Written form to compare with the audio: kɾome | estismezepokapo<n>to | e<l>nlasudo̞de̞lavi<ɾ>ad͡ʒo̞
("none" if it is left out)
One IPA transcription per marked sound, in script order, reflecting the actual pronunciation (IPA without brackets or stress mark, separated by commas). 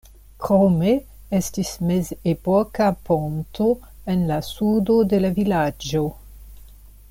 n, none, l